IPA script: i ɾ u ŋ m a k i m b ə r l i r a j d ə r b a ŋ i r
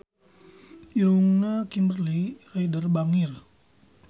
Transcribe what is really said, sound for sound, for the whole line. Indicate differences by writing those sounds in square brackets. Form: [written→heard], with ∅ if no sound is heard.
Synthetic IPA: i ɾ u ŋ [m→n] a k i m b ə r l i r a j d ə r b a ŋ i r